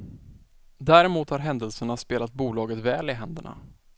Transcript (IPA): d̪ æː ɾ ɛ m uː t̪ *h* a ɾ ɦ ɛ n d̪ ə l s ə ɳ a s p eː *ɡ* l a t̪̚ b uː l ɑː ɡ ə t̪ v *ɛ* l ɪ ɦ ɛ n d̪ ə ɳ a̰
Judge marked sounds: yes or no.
yes, no, no

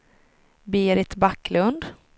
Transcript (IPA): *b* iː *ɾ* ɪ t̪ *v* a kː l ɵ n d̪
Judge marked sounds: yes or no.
yes, yes, no

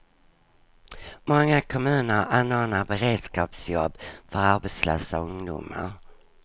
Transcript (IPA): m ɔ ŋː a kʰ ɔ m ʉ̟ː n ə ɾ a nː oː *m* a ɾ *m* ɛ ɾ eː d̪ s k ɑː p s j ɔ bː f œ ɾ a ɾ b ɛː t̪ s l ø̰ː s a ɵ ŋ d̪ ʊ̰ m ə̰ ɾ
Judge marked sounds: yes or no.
no, no

